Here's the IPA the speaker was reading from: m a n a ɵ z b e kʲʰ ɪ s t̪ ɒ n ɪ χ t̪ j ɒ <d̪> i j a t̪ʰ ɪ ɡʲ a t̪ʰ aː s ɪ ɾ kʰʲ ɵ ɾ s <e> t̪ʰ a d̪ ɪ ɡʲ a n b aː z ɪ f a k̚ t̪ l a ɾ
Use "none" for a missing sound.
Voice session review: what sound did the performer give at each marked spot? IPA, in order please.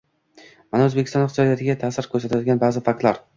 d̪, a

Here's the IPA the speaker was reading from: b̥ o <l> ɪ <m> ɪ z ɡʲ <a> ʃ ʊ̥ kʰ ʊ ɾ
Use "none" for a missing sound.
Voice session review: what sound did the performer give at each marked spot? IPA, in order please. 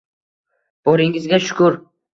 ɾ, ŋ, a

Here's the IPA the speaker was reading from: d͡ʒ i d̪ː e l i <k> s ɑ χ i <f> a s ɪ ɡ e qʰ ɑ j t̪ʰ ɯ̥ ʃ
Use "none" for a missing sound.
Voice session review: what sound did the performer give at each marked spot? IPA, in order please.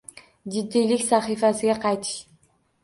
k, f

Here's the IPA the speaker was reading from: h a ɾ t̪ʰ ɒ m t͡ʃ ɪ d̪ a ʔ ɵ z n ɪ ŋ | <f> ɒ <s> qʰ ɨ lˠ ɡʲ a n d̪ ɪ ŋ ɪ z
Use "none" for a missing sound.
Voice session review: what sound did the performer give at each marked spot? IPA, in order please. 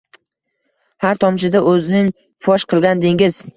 f, ʃ

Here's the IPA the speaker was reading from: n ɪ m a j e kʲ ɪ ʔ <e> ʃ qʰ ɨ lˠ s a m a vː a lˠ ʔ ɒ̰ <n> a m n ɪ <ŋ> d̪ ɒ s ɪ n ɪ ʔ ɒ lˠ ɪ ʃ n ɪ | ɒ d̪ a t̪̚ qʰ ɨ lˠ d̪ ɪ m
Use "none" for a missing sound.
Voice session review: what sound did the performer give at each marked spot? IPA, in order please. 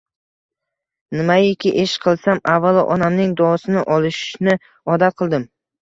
e, n, ŋ

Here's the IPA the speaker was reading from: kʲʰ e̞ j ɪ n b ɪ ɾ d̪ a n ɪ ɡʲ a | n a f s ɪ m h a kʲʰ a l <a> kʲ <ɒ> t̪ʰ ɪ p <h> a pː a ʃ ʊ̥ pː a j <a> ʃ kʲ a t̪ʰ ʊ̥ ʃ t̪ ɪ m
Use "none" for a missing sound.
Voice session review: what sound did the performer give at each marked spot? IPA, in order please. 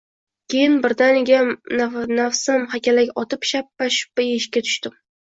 a, ɒ, ʃ, e

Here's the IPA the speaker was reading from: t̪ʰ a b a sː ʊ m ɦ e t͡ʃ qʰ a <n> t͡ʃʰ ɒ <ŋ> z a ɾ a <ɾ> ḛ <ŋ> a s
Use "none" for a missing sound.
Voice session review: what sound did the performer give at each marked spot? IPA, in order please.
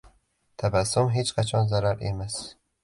none, n, ɾ, m

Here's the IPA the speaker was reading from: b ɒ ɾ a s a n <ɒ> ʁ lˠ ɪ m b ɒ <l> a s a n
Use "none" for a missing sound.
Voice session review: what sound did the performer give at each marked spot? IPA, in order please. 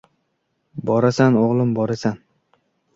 o, ɾ

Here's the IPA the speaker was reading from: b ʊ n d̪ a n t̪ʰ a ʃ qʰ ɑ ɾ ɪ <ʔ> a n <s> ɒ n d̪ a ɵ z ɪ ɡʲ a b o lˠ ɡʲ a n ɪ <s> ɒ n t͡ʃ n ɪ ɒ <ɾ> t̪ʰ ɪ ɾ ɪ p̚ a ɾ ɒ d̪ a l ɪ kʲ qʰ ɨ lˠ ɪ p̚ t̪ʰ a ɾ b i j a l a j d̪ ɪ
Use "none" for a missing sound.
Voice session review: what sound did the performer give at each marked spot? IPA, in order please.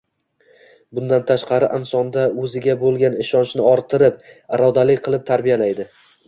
ʔ, s, ʃ, ɾ

